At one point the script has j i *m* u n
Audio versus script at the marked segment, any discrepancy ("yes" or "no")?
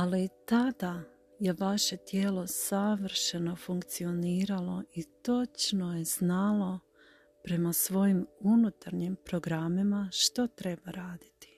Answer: no